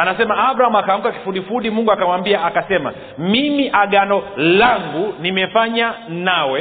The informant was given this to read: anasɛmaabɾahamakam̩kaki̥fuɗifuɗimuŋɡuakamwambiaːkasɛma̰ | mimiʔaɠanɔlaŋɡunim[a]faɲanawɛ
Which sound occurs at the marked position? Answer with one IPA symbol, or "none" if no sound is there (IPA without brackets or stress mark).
ɛ